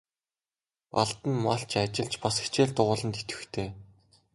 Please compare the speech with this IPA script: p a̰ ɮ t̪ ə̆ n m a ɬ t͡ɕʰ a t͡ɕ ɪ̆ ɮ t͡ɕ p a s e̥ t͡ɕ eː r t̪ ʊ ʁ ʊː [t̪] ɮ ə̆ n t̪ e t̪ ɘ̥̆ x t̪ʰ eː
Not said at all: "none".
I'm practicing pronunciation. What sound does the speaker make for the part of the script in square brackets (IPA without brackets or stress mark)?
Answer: none